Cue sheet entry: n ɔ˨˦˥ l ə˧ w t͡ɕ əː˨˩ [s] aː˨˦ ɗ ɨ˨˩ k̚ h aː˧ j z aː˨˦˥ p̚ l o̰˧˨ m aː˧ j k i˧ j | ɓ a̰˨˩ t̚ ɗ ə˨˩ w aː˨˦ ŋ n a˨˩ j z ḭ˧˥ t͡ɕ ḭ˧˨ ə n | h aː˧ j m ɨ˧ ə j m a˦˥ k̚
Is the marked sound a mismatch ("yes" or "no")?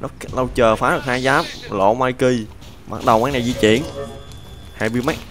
yes